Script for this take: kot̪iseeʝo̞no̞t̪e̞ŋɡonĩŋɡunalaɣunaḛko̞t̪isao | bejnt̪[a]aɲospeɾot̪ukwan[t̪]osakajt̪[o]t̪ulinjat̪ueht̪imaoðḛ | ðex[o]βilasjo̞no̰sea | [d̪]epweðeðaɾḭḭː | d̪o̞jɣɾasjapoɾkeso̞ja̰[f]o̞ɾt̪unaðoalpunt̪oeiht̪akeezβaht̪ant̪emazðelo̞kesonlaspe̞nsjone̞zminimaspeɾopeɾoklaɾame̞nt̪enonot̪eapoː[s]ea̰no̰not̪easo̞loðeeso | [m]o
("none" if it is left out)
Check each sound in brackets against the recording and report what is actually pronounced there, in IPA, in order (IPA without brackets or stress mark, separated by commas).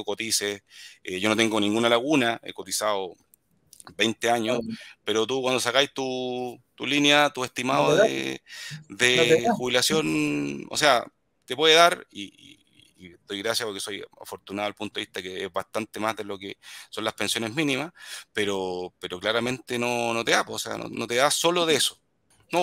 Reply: e, d̪, u, u, t̪, f, s, n